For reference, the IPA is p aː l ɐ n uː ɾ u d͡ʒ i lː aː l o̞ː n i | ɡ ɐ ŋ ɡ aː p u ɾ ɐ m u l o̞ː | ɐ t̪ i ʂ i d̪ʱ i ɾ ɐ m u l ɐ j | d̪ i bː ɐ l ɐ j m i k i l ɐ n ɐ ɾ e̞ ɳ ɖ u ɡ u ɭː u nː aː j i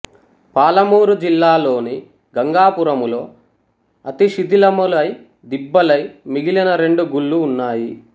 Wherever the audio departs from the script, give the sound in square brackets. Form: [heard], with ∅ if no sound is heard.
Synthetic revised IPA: p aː l ɐ [m] uː ɾ u d͡ʒ i lː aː l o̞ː n i | ɡ ɐ ŋ ɡ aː p u ɾ ɐ m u l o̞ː | ɐ t̪ i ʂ i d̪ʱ i [l] ɐ m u l ɐ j | d̪ i bː ɐ l ɐ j m i [ɡ] i l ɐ n ɐ ɾ e̞ ɳ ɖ u ɡ u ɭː [uː] nː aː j i